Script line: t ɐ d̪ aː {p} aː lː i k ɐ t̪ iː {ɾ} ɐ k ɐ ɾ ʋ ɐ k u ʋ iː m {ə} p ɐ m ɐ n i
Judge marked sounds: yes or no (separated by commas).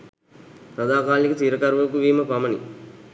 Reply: no, yes, no